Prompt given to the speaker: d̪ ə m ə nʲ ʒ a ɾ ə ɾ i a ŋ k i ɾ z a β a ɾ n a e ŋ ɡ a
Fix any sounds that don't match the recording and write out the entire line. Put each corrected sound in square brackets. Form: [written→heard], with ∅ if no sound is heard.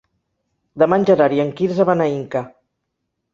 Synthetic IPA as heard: d̪ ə m [ə→a] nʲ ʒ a ɾ [ə→a] ɾ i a ŋ k i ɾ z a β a [ɾ→∅] n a [e→i] ŋ [ɡ→k] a

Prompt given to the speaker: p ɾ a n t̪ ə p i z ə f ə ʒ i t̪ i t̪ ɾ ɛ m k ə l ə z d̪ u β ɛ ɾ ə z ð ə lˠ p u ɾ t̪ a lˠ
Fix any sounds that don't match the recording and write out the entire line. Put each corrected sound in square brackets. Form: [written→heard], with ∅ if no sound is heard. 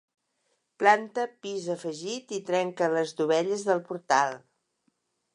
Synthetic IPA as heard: p [ɾ→l] a n t̪ ə p i z ə f ə ʒ i t̪ i t̪ ɾ ɛ [m→ŋ] k ə l ə z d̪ u β ɛ [ɾ→ʎ] ə z ð ə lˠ p u ɾ t̪ a lˠ

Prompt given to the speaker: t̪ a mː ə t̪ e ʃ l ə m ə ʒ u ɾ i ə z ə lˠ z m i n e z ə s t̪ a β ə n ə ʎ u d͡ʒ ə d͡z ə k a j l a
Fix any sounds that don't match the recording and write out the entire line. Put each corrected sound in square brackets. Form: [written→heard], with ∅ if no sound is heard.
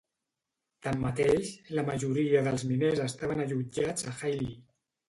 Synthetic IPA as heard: t̪ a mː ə t̪ e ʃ l ə m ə ʒ u ɾ i ə [z→ð] ə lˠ z m i n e z ə s t̪ a β ə n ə ʎ u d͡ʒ [ə→a] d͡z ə [k→x] a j l [a→i]

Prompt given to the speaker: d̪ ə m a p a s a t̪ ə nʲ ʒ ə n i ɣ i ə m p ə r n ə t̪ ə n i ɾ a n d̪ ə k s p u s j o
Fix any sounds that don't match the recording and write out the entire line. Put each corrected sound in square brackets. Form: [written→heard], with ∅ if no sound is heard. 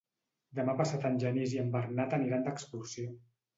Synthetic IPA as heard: d̪ ə m a p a s a t̪ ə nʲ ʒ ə n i [ɣ→z] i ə m [p→b] ə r n [ə→a] t̪ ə n i ɾ a n d̪ ə k s p u s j o

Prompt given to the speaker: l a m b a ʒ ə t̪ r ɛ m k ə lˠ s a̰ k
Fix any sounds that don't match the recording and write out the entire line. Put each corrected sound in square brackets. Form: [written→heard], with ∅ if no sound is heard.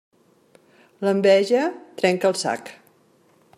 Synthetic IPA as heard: l [a→ə] m b [a→ɛ] ʒ ə t̪ [r→ɾ] ɛ [m→ŋ] k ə lˠ s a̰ k

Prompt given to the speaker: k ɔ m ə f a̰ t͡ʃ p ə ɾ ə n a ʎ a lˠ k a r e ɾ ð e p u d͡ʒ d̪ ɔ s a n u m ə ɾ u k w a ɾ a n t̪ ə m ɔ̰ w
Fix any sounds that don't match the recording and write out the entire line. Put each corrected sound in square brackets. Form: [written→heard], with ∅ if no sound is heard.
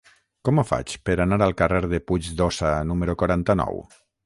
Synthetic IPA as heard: k ɔ m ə f a̰ t͡ʃ p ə ɾ [ə→a] n a [ʎ→ɾ] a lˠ k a r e ɾ ð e p u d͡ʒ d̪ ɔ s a n u m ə ɾ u k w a ɾ a n t̪ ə [m→n] ɔ̰ w

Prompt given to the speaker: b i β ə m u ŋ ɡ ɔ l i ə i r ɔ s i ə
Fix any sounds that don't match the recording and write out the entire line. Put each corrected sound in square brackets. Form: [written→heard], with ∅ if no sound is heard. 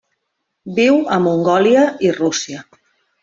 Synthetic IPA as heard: b i [β→w] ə m u ŋ ɡ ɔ l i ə i r [ɔ→u] s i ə

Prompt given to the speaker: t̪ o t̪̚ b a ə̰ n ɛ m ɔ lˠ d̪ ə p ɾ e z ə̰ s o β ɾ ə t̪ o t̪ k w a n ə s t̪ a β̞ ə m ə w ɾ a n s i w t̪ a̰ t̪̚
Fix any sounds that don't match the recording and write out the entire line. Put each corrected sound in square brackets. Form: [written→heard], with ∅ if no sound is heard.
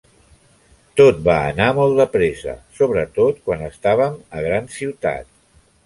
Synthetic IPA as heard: t̪ o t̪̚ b a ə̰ n [ɛ→a] m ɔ lˠ d̪ ə p ɾ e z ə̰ s o β ɾ ə t̪ o t̪ k w a n ə s t̪ a β̞ ə m ə [w→ɣ] ɾ a n s i w t̪ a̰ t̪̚

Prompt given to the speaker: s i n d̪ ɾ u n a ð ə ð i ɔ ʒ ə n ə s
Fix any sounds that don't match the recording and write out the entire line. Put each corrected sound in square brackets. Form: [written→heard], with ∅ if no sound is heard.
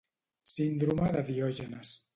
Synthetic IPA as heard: s i n d̪ ɾ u [n→m] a ð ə ð i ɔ ʒ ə n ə s

